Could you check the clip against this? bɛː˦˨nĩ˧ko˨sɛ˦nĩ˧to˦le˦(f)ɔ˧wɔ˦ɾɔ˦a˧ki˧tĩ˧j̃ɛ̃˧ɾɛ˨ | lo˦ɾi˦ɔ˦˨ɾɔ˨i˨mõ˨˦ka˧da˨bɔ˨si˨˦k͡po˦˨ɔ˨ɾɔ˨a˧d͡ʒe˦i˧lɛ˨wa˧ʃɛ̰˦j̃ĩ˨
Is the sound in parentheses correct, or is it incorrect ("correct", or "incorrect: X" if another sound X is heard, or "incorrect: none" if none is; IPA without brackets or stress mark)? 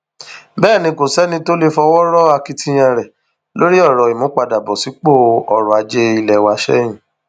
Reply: correct